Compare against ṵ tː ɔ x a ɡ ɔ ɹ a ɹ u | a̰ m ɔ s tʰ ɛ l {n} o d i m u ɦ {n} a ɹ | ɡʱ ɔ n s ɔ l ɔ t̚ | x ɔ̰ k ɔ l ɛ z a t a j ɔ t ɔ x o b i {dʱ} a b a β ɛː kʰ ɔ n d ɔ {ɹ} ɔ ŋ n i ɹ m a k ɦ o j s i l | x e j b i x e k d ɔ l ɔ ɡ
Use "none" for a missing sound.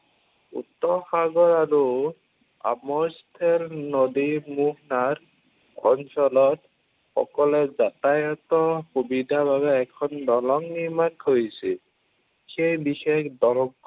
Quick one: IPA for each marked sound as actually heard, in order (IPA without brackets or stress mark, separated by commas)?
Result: n, n, dʱ, l